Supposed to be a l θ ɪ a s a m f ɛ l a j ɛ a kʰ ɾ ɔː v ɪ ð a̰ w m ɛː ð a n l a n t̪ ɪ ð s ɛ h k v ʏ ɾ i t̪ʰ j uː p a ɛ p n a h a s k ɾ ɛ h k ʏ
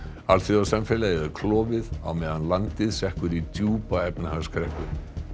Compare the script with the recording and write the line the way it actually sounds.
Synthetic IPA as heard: a l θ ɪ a s a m f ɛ l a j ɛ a kʰ l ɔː v ɪ ð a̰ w m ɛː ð a n l a n t̪ ɪ ð s ɛ h k v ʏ ɾ i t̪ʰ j uː p a ɛ p n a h a s k ɾ ɛ h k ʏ